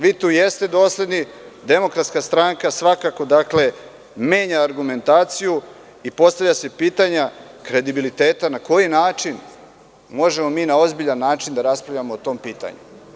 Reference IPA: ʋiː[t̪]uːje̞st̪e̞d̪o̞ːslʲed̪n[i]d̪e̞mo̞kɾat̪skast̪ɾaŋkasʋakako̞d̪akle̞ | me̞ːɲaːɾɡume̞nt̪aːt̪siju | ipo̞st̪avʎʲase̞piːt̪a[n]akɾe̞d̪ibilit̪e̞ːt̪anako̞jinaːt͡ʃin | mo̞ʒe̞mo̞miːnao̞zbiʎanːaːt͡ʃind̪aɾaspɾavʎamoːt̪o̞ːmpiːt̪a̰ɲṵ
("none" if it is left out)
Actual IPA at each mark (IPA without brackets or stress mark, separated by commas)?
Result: t̪, i, ɲ